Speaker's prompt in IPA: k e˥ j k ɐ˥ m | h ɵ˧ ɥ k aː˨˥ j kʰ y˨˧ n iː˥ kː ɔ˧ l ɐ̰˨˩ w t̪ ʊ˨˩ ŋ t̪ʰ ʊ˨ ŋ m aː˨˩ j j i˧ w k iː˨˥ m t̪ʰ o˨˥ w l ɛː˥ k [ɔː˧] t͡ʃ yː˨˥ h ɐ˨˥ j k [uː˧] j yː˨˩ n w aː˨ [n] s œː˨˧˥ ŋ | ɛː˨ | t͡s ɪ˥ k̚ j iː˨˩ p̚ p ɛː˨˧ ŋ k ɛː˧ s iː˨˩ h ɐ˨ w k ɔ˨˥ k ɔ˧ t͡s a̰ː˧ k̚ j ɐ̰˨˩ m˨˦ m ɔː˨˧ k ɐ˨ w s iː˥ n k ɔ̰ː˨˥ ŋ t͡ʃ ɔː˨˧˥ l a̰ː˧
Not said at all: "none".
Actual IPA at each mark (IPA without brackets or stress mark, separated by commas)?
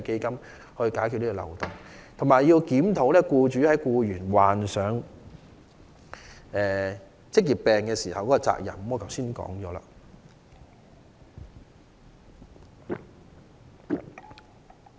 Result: uː˧, uː˧, n